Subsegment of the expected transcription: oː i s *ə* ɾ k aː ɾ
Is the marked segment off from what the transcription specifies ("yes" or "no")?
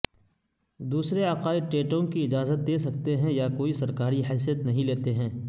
yes